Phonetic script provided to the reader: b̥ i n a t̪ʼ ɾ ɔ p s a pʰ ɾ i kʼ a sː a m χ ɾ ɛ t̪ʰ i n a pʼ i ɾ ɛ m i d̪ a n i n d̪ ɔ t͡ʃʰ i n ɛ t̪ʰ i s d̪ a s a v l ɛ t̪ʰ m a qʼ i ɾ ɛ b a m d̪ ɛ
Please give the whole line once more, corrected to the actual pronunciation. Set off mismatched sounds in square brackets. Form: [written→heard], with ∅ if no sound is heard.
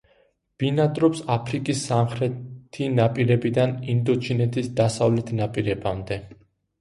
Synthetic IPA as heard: b̥ i n a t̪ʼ ɾ ɔ p s a pʰ ɾ i kʼ [a→i] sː a m χ ɾ ɛ t̪ʰ i n a pʼ i ɾ ɛ [m→b] i d̪ a n i n d̪ ɔ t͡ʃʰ i n ɛ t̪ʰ i s d̪ a s a v l ɛ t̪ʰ [m→n] a [qʼ→pʼ] i ɾ ɛ b a m d̪ ɛ